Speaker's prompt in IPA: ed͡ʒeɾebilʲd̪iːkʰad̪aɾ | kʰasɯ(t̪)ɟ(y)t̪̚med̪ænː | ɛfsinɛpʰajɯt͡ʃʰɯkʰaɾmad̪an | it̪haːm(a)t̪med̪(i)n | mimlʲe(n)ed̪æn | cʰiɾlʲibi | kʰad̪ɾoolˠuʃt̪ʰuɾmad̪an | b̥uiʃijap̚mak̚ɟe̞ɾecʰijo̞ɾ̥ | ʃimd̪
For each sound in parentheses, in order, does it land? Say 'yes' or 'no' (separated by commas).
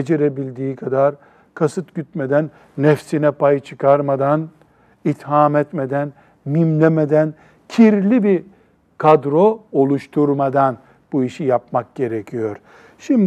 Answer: yes, yes, no, no, no